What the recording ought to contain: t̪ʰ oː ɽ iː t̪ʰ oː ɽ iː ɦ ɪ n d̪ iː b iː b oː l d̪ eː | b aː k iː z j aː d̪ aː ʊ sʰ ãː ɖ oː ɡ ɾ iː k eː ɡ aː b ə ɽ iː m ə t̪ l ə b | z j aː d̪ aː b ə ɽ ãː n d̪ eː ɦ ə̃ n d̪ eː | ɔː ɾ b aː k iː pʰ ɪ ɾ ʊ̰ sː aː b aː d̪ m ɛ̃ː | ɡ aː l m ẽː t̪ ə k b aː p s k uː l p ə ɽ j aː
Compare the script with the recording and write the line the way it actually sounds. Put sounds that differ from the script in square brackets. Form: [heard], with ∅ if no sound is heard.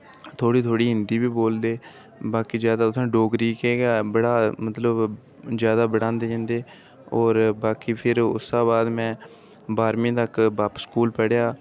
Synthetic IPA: t̪ʰ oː ɽ iː t̪ʰ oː ɽ iː ɦ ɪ n d̪ iː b iː b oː l d̪ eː | b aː k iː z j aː d̪ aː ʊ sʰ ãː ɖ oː ɡ ɾ iː k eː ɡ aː b ə ɽ [aː] m ə t̪ l ə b | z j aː d̪ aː b ə ɽ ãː n d̪ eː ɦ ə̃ n d̪ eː | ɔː ɾ b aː k iː pʰ ɪ ɾ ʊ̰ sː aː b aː d̪ m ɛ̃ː | [b] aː [ɾ] m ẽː t̪ ə k b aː p s k uː l p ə ɽ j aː